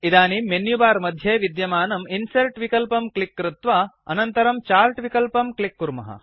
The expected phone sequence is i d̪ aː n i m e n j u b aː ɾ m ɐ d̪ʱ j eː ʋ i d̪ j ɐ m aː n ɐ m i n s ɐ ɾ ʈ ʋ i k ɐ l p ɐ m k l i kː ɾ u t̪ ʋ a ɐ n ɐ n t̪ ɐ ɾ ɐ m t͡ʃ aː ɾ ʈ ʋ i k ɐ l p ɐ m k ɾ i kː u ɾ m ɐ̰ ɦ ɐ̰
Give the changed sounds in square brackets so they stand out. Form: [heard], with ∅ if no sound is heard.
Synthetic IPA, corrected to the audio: i d̪ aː n i m e n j u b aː ɾ m ɐ d̪ʱ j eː ʋ i d̪ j ɐ m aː n ɐ m i n s ɐ ɾ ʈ ʋ i k ɐ l p ɐ m k l i kː ɾ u t̪ ʋ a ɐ n ɐ n t̪ ɐ ɾ ɐ m t͡ʃ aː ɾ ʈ ʋ i k ɐ l p ɐ m k [l] i kː u ɾ m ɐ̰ ɦ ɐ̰